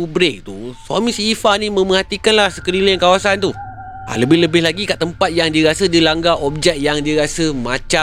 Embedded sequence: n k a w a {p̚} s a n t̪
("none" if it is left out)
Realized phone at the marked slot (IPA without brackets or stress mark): none